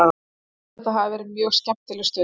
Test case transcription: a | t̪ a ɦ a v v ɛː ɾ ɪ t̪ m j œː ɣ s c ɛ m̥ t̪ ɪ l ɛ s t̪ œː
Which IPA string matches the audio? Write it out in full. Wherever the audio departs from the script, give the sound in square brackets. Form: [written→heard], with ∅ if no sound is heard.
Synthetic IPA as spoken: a | t̪ a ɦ a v v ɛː ɾ ɪ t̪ m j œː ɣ s c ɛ m̥ t̪ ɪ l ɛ s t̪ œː